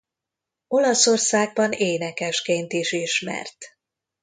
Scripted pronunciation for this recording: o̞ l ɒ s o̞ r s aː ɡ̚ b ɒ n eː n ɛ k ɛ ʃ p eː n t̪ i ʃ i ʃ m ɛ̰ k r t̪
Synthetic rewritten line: o̞ l ɒ s o̞ r s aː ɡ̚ b ɒ n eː n ɛ k ɛ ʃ k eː n t̪ i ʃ i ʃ m ɛ̰ r t̪